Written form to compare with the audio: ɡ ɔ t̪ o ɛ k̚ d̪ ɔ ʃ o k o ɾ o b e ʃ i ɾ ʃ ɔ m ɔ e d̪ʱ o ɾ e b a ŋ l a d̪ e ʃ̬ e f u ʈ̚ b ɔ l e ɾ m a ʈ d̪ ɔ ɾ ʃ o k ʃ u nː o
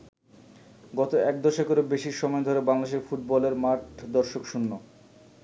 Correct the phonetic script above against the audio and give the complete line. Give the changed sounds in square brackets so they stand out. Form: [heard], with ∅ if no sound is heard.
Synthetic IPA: ɡ ɔ t̪ o ɛ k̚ d̪ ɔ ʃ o k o ɾ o b e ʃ i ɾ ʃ ɔ m ɔ e d̪ʱ o ɾ e b a ŋ l a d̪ e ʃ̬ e f u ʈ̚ b ɔ l e ɾ m a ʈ d̪ ɔ ɾ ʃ o k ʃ u nː o

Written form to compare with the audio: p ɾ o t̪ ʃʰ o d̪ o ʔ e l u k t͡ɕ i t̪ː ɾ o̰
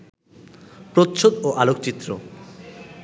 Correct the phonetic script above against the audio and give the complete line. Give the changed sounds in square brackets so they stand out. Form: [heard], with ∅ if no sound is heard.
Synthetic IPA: p ɾ o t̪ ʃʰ o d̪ o ʔ [a] l [o] k t͡ɕ i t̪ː ɾ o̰

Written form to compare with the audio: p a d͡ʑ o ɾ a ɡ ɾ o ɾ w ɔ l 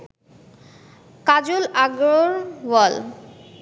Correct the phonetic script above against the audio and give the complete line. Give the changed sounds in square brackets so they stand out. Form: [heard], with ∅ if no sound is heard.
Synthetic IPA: [k] a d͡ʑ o [l] a ɡ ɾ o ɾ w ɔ l

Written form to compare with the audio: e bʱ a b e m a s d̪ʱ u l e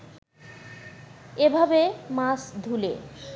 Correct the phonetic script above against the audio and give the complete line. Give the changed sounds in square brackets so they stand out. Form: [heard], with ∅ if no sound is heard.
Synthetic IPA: e bʱ a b e m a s d̪ʱ u l e

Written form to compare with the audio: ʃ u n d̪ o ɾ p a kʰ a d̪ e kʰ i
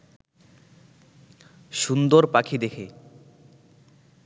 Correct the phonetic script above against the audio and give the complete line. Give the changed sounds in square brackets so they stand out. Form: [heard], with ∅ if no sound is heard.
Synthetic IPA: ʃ u n d̪ o ɾ p a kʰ [i] d̪ e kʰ [e]

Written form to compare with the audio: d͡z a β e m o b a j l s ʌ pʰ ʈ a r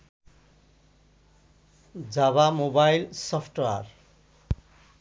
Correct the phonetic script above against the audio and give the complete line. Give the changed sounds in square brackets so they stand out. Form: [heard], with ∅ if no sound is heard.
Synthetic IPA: d͡z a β [a] m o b a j l s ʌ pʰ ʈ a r

